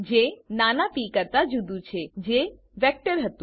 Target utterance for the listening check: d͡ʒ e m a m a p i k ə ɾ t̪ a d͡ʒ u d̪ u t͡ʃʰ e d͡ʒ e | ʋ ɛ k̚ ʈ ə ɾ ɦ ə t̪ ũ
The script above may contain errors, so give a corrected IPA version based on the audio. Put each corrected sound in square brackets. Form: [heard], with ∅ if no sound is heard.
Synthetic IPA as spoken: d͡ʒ e [n] a [n] a p i k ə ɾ t̪ a d͡ʒ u d̪ u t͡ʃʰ e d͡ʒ e | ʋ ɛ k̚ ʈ ə ɾ ɦ ə t̪ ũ